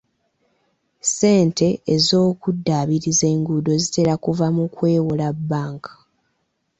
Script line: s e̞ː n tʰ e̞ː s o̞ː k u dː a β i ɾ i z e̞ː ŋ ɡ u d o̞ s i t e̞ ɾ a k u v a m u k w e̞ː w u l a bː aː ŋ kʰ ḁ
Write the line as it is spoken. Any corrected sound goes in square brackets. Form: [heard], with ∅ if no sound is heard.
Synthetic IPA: s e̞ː n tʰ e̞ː [z] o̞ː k u dː a β i ɾ i z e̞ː ŋ ɡ u d o̞ [z] i t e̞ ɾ a k u v a m u k w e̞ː w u l a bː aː ŋ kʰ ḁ